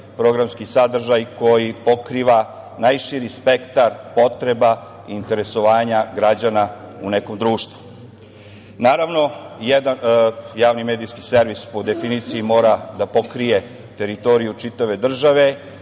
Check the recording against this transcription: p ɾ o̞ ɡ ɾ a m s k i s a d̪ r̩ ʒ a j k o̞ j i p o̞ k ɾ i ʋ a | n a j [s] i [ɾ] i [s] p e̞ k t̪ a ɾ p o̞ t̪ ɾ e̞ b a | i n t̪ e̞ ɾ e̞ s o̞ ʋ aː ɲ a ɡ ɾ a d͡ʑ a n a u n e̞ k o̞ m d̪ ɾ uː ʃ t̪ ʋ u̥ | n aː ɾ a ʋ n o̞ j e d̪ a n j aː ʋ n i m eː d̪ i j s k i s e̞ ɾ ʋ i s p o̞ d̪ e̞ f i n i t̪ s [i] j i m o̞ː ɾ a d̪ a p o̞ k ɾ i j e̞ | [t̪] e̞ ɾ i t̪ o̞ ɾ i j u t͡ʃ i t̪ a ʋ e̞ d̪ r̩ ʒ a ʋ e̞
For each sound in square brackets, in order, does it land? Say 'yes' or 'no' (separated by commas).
no, yes, yes, yes, yes